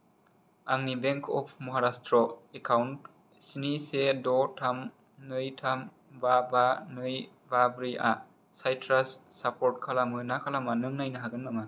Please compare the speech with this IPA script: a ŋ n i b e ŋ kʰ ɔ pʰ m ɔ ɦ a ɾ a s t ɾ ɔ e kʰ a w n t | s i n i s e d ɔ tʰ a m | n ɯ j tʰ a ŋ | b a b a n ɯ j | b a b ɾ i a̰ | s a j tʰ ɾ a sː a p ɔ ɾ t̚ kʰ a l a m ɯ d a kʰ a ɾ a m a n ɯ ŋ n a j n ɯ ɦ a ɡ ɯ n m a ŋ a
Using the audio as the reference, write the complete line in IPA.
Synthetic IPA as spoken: a ŋ n i b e ŋ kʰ ɔ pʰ m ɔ ɦ a ɾ a s t ɾ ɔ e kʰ a w n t | s i n i s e d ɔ tʰ a m | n ɯ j tʰ a m | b a b a n ɯ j | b a b ɾ i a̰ | s a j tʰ ɾ a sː a p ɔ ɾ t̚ kʰ a l a m ɯ n a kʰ a l a m a n ɯ ŋ n a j n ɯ ɦ a ɡ ɯ n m a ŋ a